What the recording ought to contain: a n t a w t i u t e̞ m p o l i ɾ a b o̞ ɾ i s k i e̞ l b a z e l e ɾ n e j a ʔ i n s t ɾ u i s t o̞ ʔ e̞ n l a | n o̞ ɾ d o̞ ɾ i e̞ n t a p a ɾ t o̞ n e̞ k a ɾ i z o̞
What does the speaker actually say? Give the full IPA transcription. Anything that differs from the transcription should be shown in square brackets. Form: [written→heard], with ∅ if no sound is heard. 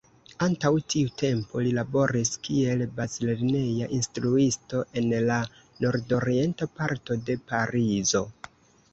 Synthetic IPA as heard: a n t a w t i u t e̞ m p o l i [ɾ→l] a b o̞ ɾ i s k i e̞ l b a z [e→i] l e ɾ n e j a ʔ i n s t ɾ u i s t o̞ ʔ e̞ n l a | n o̞ ɾ d o̞ ɾ i e̞ n t a p a ɾ t o̞ [n→d] e̞ [k→p] a ɾ i z o̞